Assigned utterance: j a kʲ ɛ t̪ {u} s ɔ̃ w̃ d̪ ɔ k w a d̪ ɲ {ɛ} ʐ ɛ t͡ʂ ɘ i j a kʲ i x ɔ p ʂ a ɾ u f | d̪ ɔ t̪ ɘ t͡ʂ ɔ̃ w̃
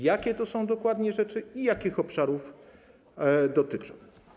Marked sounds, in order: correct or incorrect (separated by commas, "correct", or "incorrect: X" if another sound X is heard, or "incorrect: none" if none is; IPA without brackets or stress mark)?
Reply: incorrect: ɔ, correct